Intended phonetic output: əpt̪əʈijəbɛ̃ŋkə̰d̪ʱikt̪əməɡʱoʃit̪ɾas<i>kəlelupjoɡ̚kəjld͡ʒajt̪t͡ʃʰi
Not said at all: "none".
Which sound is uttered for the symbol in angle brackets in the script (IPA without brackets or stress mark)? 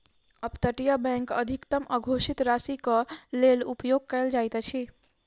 i